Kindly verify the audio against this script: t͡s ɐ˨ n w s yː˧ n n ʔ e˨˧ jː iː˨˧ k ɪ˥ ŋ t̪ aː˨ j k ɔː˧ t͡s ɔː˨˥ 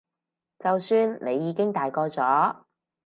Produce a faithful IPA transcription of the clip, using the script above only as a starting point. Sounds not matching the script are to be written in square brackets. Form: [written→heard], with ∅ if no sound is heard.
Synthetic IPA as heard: t͡s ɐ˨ [n→∅] w s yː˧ n n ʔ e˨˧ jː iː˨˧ k ɪ˥ ŋ t̪ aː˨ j k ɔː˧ t͡s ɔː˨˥

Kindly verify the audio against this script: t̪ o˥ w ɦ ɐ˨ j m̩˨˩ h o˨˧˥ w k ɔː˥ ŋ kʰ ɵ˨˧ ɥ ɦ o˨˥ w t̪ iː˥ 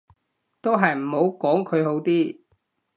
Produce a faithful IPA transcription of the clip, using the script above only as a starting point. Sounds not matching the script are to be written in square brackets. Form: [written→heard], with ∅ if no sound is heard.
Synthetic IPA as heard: t̪ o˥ w ɦ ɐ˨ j m̩˨˩ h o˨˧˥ w k [ɔː˥→ɔː˨˥] ŋ kʰ ɵ˨˧ ɥ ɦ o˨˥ w t̪ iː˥

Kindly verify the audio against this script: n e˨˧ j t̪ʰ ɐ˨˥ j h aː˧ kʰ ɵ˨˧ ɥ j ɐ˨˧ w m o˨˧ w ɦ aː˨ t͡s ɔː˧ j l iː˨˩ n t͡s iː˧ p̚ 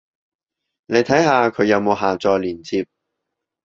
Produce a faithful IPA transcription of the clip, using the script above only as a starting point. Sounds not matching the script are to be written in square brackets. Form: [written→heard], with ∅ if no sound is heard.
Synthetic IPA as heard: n e˨˧ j t̪ʰ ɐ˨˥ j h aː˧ kʰ ɵ˨˧ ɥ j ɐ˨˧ w m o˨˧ w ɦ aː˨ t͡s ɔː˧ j l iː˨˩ n [t͡s→t͡sʰ] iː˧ p̚

